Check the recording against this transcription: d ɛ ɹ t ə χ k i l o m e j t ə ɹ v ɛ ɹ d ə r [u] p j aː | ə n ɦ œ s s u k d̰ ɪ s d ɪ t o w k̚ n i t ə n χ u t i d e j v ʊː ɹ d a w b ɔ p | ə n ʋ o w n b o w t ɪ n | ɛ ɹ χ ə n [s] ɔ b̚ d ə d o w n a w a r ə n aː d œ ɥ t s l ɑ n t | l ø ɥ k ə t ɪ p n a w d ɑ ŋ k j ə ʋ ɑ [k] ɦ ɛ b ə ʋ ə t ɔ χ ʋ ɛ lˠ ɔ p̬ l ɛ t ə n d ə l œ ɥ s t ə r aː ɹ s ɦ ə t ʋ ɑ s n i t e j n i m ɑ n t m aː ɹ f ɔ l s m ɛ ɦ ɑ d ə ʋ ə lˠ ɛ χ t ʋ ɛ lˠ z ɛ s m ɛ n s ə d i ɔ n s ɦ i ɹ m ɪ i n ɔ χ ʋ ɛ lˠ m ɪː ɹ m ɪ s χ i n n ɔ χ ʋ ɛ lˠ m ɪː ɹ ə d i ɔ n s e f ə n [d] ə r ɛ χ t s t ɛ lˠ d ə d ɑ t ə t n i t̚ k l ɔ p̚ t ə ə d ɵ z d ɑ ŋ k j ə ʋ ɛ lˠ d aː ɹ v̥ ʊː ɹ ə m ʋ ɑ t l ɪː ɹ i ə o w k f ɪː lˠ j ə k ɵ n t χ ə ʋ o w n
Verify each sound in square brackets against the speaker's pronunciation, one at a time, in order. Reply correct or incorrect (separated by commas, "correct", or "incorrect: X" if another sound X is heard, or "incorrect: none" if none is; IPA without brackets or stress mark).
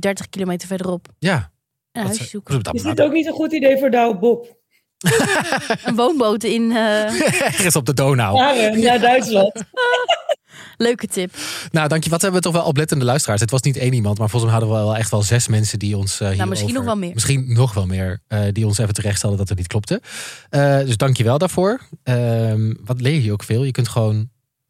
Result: incorrect: ɔ, correct, incorrect: t, incorrect: t